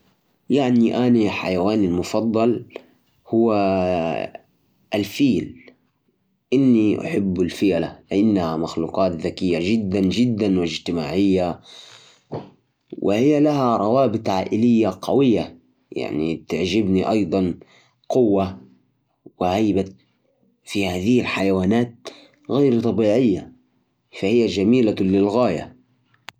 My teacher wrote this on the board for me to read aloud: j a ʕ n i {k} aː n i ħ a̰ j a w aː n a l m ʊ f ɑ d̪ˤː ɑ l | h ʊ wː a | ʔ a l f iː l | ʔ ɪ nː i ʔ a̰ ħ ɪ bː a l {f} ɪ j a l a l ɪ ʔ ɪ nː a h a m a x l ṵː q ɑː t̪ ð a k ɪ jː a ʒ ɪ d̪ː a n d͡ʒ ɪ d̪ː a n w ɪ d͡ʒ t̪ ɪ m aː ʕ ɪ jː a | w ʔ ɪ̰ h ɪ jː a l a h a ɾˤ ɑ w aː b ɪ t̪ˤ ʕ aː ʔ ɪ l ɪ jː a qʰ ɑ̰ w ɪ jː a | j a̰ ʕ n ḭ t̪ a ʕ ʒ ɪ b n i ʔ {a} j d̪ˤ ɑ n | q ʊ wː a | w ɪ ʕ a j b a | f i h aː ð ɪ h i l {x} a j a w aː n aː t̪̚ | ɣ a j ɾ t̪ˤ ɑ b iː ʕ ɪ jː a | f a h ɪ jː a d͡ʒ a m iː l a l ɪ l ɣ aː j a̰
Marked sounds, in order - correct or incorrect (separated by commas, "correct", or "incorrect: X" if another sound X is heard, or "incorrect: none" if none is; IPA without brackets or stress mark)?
incorrect: ʔ, correct, incorrect: ɑ, incorrect: ħ